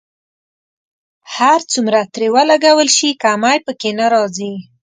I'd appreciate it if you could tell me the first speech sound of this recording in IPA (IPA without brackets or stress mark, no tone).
h